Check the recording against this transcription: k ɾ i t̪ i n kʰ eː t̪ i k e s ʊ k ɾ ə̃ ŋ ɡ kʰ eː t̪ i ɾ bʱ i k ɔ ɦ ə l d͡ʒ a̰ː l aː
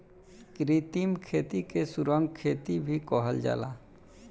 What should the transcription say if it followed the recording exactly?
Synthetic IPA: k ɾ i t̪ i m kʰ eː t̪ i k e s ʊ ɾ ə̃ ŋ ɡ kʰ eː t̪ i bʱ i k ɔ ɦ ə l d͡ʒ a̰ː l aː